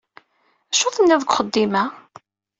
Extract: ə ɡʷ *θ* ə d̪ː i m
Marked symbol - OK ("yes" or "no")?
no